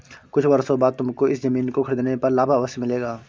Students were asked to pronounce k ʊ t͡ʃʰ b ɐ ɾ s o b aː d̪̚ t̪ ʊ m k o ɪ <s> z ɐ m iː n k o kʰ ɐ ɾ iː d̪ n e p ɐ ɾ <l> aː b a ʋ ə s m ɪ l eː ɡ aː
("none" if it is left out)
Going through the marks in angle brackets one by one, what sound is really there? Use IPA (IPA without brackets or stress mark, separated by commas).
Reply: s, l